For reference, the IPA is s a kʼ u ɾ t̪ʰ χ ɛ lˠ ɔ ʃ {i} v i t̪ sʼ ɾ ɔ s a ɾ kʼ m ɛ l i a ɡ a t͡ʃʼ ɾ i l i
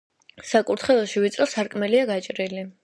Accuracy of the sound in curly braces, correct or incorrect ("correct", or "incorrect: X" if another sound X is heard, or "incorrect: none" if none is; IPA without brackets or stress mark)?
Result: correct